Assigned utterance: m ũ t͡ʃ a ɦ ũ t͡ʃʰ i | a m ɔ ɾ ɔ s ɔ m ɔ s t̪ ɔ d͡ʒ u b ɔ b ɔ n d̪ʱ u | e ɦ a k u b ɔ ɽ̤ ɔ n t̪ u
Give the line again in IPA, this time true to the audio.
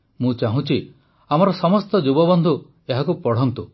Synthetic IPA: m ũ t͡ʃ a ɦ ũ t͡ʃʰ i | a m ɔ ɾ ɔ s ɔ m ɔ s t̪ ɔ d͡ʒ u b ɔ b ɔ n d̪ʱ u | e ɦ a k u p ɔ ɽ̤ ɔ n t̪ u